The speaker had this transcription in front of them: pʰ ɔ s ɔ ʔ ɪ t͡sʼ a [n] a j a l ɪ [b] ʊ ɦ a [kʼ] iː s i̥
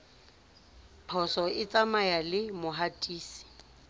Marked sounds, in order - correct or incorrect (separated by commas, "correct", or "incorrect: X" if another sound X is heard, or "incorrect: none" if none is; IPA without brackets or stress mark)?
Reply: incorrect: m, incorrect: m, incorrect: tʼ